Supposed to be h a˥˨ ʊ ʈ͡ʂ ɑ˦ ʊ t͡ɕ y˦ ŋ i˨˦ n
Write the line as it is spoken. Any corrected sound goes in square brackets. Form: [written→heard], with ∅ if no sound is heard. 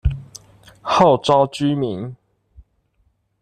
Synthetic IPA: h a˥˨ ʊ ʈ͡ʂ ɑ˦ ʊ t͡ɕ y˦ [ŋ→m] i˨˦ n